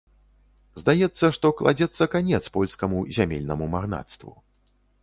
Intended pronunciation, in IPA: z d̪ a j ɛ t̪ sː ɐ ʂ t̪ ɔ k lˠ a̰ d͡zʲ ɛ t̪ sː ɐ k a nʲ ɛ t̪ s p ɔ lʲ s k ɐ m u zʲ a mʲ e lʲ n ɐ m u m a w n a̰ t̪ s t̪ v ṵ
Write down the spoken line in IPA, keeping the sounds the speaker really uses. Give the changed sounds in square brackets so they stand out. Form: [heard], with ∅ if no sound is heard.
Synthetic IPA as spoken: z d̪ a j ɛ t̪ sː ɐ ʂ t̪ ɔ k lˠ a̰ d͡zʲ ɛ t̪ sː ɐ k a nʲ ɛ t̪ s p ɔ lʲ s k ɐ m u zʲ a mʲ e lʲ n ɐ m u m a [ɣ] n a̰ t̪ s t̪ v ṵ